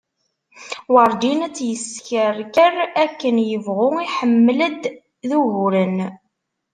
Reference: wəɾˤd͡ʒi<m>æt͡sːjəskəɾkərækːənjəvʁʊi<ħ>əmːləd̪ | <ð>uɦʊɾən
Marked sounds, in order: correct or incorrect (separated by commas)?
incorrect, correct, correct